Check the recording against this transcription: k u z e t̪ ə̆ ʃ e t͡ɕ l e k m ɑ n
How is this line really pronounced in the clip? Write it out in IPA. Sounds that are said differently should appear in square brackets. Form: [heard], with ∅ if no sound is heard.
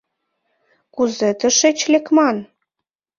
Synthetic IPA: k u z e t̪ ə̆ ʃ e t͡ɕ l e k m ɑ n

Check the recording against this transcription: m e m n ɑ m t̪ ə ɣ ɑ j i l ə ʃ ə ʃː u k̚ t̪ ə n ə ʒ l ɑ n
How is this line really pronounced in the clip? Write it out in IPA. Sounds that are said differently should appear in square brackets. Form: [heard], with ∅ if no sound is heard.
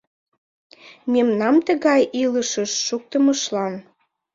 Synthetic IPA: m e m n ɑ m t̪ ə ɣ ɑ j i l ə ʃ ə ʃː u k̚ t̪ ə [m] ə [ʃ] l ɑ n

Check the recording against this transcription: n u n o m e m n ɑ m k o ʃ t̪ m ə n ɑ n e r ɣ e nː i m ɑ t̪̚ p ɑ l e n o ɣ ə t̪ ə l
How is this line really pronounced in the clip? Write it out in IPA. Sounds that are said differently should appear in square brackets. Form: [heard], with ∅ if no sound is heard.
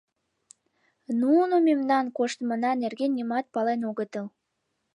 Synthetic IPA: n u n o m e m n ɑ [n] k o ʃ t̪ m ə n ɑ n e r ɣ e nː i m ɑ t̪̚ p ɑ l e n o ɣ ə t̪ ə l

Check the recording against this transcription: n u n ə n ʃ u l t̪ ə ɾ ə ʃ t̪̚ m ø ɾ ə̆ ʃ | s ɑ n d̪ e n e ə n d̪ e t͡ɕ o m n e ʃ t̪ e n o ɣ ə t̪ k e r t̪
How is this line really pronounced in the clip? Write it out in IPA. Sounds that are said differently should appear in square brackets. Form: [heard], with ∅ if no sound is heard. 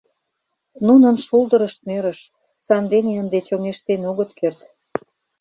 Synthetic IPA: n u n ə n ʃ u l [d̪] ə ɾ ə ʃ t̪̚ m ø ɾ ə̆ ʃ | s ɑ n d̪ e n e ə n d̪ e t͡ɕ o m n e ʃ t̪ e n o ɣ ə t̪ k e r t̪

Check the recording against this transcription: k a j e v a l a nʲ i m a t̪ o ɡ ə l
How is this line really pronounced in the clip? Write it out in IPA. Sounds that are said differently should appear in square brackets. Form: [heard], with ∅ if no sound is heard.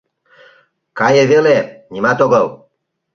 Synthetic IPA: k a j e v [e] l [e] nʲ i m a t̪ o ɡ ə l

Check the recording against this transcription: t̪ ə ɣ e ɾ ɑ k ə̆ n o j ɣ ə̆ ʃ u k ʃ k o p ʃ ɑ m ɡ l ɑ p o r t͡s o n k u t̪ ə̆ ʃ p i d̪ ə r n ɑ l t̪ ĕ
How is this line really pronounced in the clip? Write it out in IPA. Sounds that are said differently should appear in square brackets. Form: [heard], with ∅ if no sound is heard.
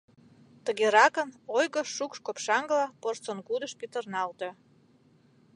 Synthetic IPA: t̪ ə ɣ e ɾ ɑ k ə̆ n o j ɣ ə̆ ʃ u k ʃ k o p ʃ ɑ [ŋ] ɡ l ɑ p o r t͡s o n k u [d̪] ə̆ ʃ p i [t̪] ə r n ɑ l t̪ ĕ

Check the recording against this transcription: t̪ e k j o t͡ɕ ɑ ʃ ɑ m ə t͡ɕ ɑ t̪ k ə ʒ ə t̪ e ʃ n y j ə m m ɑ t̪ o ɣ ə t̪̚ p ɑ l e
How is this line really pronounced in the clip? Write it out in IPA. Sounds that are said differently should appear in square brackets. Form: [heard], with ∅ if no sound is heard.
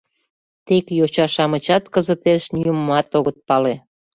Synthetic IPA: t̪ e k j o t͡ɕ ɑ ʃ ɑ m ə t͡ɕ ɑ t̪ k ə [z] ə t̪ e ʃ n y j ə m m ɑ t̪ o ɣ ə t̪̚ p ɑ l e

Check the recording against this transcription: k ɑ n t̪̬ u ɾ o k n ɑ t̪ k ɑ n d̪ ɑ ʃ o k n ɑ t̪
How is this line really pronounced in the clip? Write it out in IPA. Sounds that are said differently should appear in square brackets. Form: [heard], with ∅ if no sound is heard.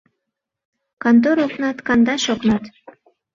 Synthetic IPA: k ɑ n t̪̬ [o] ɾ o k n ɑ t̪ k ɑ n d̪ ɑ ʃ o k n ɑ t̪

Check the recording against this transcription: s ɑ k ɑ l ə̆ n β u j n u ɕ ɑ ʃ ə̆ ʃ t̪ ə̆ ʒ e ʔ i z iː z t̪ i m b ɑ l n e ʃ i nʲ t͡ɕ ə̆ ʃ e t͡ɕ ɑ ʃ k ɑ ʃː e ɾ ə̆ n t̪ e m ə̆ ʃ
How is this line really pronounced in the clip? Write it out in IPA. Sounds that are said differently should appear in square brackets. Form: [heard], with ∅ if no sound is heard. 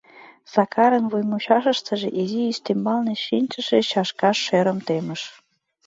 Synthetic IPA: s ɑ k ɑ [ɾ] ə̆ n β u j [m] u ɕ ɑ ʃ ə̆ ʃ t̪ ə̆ ʒ e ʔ i z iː [s] t̪ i m b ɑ l n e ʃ i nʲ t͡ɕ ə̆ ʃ e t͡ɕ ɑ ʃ k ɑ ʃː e ɾ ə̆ [m] t̪ e m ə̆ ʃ

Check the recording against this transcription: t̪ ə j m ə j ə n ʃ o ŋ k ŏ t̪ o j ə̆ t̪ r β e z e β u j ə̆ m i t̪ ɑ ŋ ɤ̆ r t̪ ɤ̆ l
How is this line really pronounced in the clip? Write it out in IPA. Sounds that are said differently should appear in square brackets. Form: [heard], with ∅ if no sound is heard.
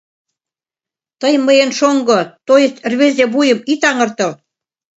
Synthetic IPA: t̪ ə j m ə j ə n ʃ o ŋ [ɡ] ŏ t̪ o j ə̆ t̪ r β e z e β u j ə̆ m i t̪ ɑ ŋ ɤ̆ r t̪ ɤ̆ l

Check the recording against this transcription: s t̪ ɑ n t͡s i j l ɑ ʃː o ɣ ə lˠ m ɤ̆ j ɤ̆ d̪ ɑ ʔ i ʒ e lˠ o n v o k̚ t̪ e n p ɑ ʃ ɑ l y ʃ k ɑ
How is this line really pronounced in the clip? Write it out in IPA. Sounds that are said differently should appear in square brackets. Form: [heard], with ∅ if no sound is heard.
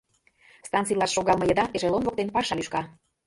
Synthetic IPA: s t̪ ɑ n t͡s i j l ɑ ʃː o ɣ [ɑ] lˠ m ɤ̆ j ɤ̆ d̪ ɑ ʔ [e] ʒ e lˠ o n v o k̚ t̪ e n p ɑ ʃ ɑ l y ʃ k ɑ

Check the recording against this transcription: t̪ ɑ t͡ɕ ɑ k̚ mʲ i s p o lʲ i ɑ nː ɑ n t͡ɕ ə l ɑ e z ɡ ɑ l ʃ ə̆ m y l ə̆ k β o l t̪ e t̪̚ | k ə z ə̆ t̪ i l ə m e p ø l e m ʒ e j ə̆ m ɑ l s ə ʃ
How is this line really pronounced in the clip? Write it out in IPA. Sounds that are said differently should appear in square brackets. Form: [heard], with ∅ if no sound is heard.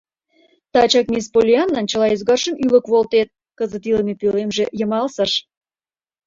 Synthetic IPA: t̪ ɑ t͡ɕ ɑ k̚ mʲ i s p o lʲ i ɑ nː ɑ n t͡ɕ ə l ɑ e z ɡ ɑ [r] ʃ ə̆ m y l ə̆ k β o l t̪ e t̪̚ | k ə z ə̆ t̪ i l ə m e p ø l e m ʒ e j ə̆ m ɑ l s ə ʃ

